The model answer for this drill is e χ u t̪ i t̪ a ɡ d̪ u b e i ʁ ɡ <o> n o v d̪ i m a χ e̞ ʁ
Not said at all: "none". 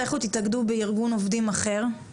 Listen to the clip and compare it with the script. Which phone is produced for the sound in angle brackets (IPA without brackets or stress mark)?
u